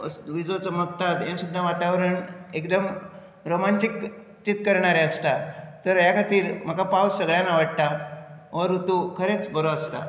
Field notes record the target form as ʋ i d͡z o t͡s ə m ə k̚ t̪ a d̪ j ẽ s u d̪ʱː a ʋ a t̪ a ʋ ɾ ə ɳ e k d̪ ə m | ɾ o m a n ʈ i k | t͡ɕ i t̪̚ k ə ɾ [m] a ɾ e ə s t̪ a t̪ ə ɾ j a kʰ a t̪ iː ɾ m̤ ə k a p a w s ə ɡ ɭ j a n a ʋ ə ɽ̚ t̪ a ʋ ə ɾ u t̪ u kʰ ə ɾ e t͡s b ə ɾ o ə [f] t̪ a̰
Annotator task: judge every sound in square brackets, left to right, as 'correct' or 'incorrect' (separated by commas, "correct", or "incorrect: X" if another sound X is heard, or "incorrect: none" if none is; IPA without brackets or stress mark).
incorrect: ɳ, incorrect: s